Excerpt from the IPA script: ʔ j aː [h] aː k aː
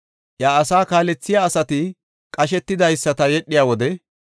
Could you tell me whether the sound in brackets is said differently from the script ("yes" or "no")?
yes